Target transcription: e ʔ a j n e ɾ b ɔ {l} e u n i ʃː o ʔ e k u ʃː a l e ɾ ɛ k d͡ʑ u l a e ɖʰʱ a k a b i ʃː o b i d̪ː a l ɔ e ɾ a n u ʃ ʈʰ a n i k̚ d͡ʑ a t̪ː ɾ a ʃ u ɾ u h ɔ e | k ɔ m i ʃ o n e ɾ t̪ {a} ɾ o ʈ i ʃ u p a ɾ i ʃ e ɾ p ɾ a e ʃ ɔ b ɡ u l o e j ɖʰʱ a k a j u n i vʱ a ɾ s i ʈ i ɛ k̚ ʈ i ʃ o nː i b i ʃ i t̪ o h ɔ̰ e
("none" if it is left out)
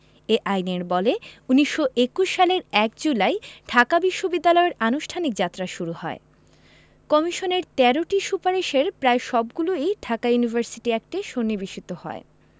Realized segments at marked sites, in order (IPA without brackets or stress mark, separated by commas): l, ɛ